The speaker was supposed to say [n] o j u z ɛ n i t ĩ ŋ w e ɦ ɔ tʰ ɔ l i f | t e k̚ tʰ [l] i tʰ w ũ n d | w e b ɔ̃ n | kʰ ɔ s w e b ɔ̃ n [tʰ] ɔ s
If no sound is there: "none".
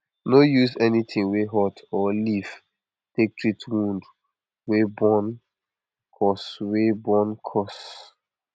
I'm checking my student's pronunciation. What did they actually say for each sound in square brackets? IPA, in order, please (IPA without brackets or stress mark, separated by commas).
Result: n, ɹ, kʰ